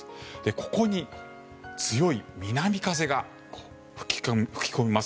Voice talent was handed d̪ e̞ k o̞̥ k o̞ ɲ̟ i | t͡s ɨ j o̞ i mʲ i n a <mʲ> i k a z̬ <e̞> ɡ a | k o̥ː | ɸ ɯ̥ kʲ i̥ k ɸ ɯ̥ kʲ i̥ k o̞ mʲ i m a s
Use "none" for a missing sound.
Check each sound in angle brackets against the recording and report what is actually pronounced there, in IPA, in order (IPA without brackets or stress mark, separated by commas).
mʲ, e̞